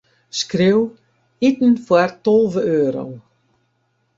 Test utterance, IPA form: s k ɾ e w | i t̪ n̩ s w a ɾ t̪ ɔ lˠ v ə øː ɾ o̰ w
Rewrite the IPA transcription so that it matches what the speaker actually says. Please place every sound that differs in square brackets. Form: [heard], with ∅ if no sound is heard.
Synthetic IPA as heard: s k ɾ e w | i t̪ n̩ [f] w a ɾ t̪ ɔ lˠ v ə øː ɾ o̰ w